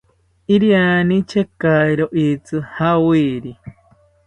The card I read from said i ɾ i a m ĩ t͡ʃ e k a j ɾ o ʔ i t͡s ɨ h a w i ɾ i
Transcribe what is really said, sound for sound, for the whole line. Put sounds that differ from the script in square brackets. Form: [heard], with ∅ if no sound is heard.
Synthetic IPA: i ɾ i a [n] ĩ t͡ʃ e k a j ɾ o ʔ i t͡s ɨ h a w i ɾ i